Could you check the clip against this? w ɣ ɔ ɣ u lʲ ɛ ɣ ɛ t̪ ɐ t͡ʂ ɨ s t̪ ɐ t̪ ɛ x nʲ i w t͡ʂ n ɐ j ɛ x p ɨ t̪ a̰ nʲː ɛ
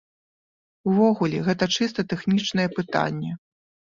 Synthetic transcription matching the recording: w v ɔ ɣ u lʲ ɛ ɣ ɛ t̪ ɐ t͡ʂ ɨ s t̪ ɐ t̪ ɛ x nʲ i t͡ʂ n ɐ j ɛ p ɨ t̪ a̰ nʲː ɛ